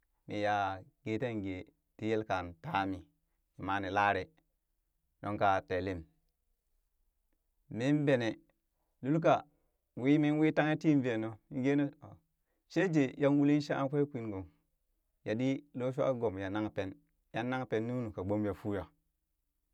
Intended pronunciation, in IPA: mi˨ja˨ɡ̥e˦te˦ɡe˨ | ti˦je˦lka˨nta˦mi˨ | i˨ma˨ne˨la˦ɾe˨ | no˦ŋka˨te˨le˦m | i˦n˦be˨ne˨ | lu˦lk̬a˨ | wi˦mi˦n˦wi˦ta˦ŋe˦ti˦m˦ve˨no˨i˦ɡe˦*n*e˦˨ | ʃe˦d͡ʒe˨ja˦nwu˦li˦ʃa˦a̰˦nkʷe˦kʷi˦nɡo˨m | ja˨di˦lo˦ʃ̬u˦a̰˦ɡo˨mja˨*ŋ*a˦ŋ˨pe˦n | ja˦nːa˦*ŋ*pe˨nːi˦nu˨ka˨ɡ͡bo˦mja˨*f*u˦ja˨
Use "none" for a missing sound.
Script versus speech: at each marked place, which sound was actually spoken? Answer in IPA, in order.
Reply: n, n, ŋ, f

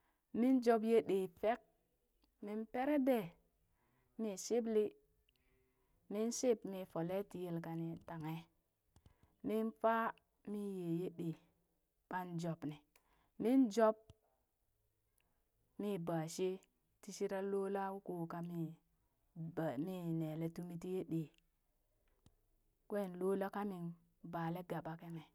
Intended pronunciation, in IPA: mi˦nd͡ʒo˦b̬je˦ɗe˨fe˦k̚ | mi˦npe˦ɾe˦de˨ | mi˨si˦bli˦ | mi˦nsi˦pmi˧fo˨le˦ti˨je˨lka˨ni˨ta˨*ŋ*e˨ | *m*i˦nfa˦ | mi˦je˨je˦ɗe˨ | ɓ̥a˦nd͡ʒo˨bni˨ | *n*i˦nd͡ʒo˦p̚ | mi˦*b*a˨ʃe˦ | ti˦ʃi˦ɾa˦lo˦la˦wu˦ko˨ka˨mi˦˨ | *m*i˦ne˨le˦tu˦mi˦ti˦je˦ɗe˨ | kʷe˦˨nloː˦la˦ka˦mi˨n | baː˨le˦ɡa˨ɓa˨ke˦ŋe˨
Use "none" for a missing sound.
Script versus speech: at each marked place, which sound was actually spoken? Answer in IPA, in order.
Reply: ŋ, m, m, b, m

